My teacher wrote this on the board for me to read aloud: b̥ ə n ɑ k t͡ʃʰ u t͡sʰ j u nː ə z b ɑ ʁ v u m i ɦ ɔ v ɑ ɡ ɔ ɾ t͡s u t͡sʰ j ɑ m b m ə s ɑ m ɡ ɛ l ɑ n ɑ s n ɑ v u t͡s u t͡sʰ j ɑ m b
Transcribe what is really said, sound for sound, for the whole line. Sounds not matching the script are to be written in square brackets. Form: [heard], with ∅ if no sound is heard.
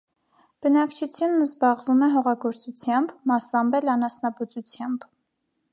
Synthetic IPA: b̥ ə n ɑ k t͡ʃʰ u t͡sʰ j u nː ə z b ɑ ʁ v u m [ɛ] ɦ ɔ [ʁ] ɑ ɡ ɔ ɾ t͡s u t͡sʰ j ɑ m b m [ɑ] s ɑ m [b] ɛ l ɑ n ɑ s n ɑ [b] u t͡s u t͡sʰ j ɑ m b